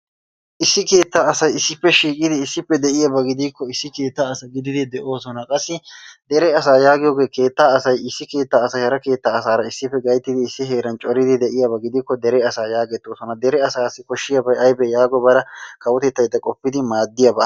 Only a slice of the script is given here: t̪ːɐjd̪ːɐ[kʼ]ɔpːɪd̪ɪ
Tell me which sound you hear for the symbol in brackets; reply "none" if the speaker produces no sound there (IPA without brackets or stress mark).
kʼ